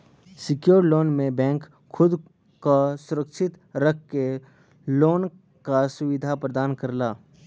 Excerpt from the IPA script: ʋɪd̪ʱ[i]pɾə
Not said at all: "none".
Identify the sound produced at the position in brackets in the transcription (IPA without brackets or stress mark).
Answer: a